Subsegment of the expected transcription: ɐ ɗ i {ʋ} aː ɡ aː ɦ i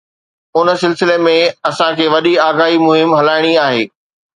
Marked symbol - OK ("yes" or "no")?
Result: no